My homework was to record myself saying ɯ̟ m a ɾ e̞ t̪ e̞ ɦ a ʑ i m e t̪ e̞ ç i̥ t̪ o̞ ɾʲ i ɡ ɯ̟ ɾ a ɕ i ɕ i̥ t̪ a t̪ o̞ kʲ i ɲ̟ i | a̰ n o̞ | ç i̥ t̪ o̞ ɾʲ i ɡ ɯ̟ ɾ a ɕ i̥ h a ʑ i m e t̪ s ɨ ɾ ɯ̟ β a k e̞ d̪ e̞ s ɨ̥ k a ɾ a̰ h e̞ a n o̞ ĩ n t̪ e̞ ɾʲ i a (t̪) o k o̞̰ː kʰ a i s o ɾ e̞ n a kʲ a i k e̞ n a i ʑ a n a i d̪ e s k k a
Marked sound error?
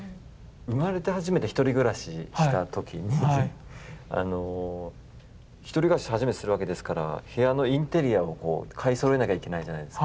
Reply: yes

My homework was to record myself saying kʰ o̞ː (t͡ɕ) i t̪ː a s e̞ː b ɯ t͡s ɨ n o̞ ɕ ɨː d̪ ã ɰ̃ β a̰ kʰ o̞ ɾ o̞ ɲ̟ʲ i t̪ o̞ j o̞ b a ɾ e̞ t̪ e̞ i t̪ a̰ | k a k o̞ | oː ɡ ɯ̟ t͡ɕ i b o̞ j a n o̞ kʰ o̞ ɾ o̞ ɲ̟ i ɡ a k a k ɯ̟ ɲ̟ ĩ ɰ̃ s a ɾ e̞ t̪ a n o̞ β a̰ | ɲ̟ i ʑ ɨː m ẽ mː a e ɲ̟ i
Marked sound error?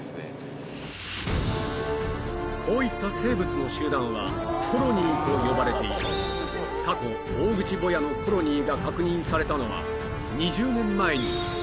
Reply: yes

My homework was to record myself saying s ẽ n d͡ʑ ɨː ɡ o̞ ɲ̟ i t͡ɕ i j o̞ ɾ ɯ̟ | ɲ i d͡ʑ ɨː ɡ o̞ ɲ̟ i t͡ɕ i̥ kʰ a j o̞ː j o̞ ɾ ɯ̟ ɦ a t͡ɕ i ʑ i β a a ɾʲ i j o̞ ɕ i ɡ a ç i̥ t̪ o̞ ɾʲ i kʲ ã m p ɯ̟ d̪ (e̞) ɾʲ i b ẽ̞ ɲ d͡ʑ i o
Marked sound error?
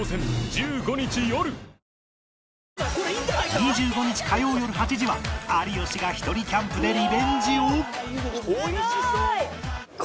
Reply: no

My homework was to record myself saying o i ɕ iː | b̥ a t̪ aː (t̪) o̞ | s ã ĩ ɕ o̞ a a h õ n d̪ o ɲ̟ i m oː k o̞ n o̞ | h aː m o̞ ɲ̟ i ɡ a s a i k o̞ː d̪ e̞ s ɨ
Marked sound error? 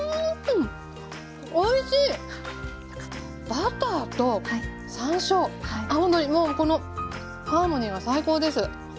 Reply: no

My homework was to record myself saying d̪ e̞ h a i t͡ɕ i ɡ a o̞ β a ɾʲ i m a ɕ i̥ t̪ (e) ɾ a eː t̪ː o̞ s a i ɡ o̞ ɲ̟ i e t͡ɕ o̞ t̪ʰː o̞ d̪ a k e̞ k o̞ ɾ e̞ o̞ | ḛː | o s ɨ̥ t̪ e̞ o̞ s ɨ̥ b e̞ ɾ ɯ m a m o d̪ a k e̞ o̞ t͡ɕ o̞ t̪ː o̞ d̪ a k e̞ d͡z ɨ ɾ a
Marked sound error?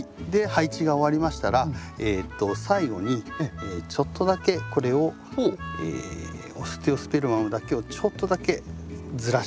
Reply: yes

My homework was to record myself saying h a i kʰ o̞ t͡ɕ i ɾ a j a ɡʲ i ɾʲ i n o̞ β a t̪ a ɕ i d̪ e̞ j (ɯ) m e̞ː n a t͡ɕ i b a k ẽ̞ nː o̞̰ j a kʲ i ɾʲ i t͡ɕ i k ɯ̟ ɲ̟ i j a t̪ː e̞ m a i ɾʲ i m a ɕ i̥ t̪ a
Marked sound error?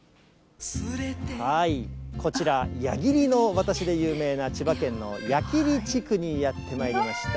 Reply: yes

